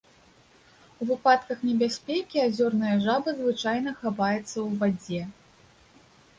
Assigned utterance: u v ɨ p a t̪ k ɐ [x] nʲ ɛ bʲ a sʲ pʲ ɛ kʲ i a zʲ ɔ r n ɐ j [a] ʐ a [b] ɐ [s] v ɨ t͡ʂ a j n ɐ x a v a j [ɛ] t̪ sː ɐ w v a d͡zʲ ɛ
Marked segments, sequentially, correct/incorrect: correct, incorrect, correct, incorrect, correct

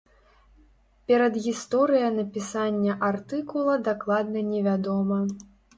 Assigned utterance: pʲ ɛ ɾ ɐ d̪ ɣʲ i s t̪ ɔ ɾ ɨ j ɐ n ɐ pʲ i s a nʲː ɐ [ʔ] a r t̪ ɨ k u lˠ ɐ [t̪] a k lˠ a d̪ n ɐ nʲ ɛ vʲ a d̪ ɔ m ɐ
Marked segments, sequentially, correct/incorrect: correct, incorrect

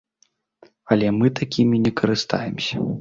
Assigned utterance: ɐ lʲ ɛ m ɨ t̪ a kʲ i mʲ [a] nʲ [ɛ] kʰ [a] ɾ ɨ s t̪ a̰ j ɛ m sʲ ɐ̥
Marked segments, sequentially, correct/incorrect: incorrect, correct, incorrect

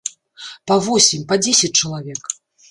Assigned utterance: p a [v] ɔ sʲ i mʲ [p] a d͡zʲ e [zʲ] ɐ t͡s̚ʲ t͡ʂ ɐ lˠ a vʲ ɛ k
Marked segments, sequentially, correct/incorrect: correct, correct, incorrect

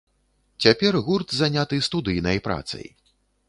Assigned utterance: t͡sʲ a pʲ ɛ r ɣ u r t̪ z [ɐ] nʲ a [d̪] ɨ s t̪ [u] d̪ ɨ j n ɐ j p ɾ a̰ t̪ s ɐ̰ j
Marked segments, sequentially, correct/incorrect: incorrect, incorrect, correct

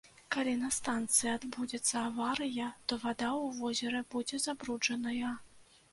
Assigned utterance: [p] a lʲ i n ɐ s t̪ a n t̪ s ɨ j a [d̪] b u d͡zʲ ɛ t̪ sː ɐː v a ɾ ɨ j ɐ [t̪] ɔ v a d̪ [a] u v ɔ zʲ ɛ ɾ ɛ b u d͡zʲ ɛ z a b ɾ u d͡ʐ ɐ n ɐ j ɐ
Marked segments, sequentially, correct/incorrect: incorrect, correct, correct, correct

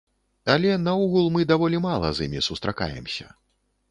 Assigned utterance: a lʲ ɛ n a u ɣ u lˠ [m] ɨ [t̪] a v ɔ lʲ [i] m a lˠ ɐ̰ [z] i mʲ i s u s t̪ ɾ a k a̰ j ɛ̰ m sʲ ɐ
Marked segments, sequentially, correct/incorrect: correct, incorrect, correct, correct

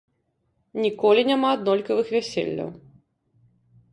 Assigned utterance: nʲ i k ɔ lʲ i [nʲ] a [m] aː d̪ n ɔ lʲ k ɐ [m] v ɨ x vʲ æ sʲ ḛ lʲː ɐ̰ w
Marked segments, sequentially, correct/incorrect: correct, correct, incorrect

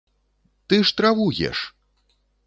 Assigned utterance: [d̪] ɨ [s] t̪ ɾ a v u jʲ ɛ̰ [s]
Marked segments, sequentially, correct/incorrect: incorrect, incorrect, incorrect

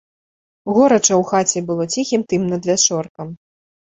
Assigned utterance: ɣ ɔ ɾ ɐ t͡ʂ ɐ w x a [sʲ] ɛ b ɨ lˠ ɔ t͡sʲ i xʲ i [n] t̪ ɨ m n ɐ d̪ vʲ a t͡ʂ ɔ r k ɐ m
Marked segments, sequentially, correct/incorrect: incorrect, incorrect

